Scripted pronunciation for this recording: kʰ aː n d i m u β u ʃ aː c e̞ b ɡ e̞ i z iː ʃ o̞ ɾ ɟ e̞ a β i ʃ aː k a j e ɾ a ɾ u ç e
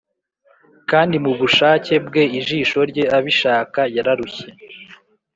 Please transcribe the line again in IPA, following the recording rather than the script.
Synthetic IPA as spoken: k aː n d i m u β u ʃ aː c e̞ b ɡ e̞ i ʒ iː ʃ o̞ ɾ ɟ e̞ a β i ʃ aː k a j a ɾ a ɾ u ç e